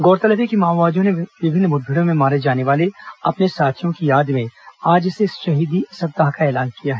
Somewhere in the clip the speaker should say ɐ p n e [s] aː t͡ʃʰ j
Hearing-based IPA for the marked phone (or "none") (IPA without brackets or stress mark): s